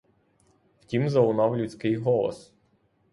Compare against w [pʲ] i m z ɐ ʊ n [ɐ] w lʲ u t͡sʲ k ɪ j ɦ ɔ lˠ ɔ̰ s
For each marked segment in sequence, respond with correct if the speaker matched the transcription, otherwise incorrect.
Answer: incorrect: tʲ, incorrect: ɑ

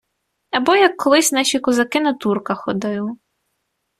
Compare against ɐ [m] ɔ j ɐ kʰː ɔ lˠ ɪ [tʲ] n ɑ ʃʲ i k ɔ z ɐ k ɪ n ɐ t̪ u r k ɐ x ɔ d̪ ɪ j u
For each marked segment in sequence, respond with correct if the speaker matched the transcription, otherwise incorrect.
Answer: incorrect: b, incorrect: sʲ

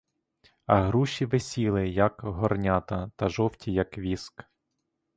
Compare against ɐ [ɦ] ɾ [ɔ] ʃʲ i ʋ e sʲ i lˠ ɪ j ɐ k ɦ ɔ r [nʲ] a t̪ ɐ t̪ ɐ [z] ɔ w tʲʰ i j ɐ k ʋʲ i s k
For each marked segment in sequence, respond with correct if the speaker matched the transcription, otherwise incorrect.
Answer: correct, incorrect: u, correct, incorrect: ʒ

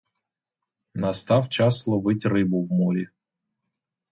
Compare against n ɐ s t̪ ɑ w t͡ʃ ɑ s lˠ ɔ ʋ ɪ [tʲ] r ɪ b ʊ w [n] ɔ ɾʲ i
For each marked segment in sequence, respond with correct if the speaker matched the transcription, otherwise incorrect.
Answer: correct, incorrect: m

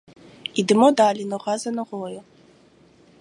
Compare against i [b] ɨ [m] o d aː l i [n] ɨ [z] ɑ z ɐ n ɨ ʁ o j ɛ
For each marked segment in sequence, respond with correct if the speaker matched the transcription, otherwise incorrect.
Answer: incorrect: d, correct, correct, incorrect: ʁ

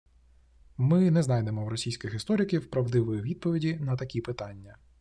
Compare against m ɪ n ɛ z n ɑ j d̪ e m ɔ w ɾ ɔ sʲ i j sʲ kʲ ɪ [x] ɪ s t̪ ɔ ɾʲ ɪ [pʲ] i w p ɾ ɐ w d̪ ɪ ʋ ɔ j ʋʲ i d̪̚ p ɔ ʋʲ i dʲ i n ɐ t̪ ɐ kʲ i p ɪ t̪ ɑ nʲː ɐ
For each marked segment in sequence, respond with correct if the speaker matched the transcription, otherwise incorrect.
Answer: correct, incorrect: kʲ

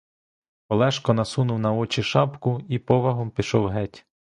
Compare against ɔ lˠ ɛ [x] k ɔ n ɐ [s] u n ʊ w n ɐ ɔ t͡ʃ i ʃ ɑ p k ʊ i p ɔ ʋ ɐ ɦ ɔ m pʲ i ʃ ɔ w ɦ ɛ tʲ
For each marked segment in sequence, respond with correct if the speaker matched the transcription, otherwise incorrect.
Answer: incorrect: ʃ, correct

